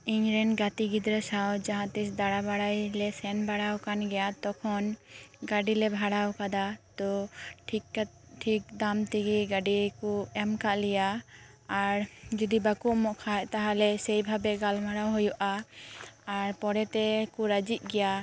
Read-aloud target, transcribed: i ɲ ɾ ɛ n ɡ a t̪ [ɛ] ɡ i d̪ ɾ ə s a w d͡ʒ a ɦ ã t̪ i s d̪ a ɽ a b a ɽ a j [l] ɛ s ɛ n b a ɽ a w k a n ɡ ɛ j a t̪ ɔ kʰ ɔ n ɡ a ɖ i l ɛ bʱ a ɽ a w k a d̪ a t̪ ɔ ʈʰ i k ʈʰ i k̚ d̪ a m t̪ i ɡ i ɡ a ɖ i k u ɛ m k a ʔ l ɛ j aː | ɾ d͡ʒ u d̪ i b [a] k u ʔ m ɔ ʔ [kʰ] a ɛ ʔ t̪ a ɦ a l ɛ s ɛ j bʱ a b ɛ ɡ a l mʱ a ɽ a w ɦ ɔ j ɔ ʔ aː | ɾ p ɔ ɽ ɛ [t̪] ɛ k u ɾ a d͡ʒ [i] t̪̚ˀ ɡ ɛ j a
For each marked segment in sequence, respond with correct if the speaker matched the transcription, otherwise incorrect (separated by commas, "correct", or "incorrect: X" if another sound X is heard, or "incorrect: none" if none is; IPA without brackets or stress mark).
incorrect: i, correct, correct, correct, correct, correct